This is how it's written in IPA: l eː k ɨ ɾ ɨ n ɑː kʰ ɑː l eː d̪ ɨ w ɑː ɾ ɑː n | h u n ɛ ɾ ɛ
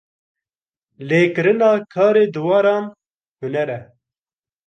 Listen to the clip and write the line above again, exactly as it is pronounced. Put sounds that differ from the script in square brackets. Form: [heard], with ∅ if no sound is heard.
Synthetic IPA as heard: l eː k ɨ ɾ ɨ n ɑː kʰ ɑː [ɾ] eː d̪ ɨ w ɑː ɾ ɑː n | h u n ɛ ɾ ɛ